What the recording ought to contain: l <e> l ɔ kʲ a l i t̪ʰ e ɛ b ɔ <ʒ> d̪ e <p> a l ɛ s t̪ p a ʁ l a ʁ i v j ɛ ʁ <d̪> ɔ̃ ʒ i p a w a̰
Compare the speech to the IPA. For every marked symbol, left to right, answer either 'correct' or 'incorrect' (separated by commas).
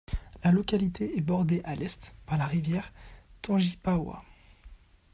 incorrect, incorrect, incorrect, incorrect